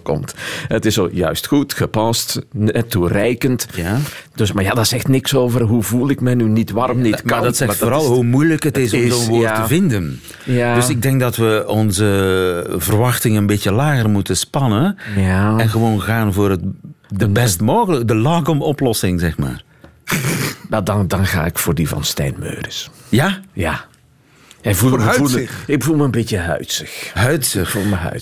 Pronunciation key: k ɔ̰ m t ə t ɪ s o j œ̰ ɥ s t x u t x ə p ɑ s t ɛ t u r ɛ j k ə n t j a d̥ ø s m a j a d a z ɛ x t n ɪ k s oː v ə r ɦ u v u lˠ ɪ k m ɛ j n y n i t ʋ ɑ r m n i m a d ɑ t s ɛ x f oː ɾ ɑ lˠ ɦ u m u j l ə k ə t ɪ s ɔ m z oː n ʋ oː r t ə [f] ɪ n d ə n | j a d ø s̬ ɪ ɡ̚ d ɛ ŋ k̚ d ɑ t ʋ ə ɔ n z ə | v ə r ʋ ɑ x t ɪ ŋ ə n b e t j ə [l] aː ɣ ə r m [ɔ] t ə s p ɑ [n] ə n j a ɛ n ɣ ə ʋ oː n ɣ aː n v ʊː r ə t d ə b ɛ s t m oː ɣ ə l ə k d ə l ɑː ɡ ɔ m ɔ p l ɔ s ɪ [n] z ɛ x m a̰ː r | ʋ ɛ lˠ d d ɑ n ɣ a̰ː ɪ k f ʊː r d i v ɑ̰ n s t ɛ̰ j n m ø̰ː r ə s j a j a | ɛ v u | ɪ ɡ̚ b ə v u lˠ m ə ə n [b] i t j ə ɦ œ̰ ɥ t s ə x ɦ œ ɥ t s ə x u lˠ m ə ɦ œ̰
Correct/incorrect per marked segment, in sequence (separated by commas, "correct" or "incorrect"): incorrect, correct, incorrect, correct, incorrect, correct